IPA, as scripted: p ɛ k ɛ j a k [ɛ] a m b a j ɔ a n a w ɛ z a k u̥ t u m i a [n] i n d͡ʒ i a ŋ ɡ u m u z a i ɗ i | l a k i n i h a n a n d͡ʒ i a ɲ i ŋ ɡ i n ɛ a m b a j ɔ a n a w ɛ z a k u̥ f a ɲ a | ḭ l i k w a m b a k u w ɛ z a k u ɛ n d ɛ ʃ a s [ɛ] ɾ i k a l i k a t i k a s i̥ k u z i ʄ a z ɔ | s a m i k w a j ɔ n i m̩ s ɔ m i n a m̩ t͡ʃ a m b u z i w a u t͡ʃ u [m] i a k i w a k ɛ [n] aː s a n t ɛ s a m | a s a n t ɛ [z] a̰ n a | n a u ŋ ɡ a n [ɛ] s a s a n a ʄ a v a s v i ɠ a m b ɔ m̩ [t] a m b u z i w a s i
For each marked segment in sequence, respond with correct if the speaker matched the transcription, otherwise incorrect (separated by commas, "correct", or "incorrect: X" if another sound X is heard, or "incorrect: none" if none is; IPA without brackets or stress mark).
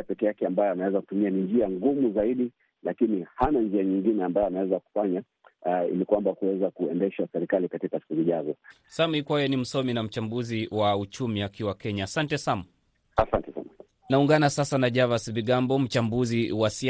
correct, correct, correct, correct, incorrect: ɲ, incorrect: s, incorrect: a, incorrect: t͡ʃ